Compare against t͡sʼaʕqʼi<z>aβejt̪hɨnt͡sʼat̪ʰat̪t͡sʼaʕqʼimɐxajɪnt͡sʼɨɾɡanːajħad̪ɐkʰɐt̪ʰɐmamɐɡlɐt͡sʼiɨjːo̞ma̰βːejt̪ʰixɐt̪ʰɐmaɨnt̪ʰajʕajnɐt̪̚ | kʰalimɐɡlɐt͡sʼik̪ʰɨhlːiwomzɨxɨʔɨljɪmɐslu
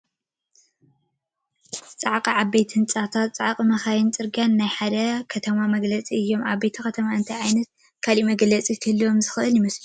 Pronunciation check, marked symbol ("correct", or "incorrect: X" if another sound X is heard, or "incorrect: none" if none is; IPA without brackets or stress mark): incorrect: ʕ